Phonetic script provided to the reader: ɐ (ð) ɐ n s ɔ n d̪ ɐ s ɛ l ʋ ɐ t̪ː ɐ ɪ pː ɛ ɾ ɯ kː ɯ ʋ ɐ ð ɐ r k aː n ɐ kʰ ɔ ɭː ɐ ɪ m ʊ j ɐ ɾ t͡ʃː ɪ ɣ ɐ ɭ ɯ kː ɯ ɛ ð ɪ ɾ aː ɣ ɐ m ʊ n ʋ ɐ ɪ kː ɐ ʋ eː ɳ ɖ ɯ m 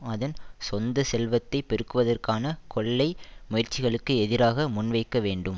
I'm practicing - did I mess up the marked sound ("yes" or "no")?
no